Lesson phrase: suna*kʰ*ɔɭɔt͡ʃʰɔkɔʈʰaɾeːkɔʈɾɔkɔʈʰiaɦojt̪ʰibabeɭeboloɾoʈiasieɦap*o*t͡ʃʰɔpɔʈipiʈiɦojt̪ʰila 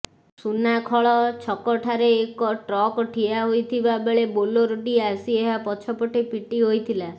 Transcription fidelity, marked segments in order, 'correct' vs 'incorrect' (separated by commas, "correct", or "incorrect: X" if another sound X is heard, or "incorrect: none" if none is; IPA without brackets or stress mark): correct, incorrect: ɔ